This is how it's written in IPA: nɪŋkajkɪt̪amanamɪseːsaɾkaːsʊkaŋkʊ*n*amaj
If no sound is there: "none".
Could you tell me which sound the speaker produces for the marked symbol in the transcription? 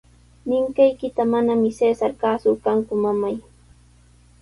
m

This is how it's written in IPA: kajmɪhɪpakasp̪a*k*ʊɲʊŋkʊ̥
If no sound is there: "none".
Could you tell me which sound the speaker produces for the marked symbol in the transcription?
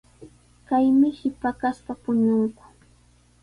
p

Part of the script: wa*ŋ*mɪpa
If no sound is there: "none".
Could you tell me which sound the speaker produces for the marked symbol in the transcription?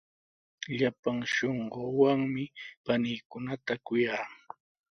ŋ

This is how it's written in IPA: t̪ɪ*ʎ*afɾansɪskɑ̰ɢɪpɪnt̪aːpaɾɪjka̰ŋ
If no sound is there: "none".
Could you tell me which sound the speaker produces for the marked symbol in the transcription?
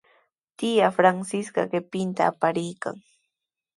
j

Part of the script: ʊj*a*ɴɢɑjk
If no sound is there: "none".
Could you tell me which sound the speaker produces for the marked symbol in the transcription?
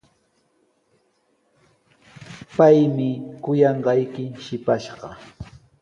ɑ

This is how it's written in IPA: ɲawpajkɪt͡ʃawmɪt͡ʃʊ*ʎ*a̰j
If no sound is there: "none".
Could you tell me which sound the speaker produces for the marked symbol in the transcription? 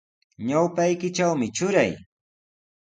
ɾ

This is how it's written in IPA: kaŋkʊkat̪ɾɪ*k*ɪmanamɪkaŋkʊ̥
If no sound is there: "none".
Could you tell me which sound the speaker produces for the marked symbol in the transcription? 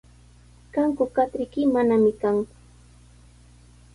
k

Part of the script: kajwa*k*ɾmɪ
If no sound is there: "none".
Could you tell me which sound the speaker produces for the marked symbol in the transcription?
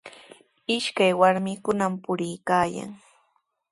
none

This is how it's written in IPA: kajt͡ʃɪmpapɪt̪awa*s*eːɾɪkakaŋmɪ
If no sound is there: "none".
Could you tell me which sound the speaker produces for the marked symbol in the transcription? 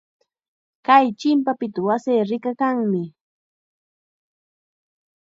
s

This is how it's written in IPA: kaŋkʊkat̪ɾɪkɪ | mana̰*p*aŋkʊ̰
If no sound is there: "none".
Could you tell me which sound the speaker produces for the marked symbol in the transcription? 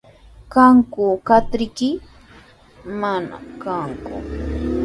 k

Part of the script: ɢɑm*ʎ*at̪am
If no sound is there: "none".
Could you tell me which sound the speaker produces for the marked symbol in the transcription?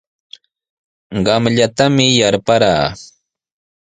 ʎ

